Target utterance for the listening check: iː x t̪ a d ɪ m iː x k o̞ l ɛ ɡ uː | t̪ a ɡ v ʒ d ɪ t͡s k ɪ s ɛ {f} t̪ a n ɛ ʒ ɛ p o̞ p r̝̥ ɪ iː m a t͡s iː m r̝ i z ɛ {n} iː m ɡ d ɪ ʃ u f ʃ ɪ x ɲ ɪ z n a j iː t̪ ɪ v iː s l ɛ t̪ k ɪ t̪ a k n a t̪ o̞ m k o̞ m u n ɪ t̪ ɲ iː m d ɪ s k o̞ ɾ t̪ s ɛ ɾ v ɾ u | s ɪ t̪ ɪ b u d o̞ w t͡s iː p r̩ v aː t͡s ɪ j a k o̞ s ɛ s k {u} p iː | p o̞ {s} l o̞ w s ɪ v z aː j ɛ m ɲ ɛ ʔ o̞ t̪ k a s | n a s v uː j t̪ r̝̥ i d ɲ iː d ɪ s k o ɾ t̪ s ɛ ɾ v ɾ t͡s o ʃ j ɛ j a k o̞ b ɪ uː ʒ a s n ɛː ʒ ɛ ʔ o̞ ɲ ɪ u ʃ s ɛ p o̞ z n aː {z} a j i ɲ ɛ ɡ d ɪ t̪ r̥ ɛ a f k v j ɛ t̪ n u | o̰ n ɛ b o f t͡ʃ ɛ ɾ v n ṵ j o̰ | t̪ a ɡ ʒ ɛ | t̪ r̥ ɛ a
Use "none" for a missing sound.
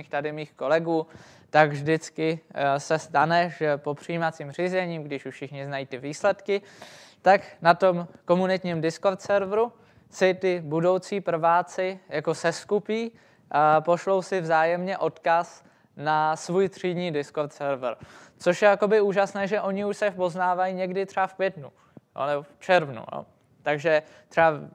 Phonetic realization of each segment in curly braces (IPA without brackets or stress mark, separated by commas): s, ɲ, u, ʃ, v